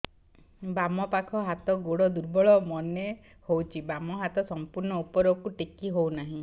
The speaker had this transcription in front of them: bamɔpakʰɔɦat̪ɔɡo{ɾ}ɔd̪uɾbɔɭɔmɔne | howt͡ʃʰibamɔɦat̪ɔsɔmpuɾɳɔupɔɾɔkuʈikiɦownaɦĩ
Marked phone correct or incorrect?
incorrect